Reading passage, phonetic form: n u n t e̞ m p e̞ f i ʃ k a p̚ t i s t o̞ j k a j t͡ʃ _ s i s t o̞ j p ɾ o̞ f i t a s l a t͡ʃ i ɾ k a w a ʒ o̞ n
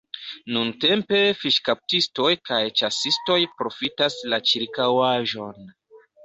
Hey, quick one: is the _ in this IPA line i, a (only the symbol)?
a